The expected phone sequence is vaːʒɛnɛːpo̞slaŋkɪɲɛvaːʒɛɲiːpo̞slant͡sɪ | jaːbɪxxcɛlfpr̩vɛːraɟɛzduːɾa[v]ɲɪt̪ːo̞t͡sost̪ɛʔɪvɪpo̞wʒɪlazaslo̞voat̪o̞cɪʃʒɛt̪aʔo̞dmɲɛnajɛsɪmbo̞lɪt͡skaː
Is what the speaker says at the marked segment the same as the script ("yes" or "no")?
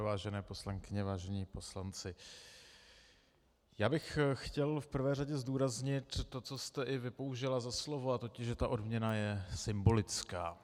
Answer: no